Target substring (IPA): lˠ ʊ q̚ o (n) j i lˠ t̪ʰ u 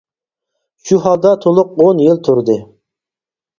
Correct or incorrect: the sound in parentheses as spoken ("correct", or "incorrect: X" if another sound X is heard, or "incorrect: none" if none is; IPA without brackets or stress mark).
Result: correct